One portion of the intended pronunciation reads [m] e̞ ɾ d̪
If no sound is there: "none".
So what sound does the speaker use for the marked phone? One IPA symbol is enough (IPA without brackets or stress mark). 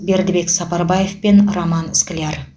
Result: b